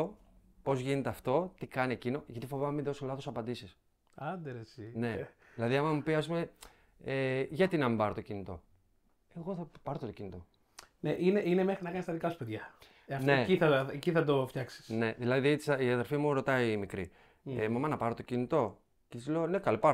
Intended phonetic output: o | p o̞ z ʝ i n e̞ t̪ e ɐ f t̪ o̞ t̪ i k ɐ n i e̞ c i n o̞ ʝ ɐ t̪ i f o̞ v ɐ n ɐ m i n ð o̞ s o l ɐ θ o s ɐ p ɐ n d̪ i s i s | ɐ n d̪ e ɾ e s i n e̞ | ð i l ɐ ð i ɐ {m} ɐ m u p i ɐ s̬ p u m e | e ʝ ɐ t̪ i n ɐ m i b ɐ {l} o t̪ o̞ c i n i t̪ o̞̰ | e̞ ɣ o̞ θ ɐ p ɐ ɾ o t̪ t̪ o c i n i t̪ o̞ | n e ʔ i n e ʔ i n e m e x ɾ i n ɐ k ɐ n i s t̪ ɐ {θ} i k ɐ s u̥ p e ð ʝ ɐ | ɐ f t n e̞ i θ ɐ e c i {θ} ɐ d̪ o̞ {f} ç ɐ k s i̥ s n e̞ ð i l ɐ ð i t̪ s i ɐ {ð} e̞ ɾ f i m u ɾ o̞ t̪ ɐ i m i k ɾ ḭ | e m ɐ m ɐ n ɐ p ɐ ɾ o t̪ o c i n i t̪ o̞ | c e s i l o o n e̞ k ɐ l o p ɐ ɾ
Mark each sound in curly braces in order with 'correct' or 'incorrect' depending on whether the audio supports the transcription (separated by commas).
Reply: correct, incorrect, incorrect, correct, correct, correct